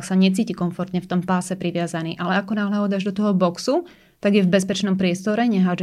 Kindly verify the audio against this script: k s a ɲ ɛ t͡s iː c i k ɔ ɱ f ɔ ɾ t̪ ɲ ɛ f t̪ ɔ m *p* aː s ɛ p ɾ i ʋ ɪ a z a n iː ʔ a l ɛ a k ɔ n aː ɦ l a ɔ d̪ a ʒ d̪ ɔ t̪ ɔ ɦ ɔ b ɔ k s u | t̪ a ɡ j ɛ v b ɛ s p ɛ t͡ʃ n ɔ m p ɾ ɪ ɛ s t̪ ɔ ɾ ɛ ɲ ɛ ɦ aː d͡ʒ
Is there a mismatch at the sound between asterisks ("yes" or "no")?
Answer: no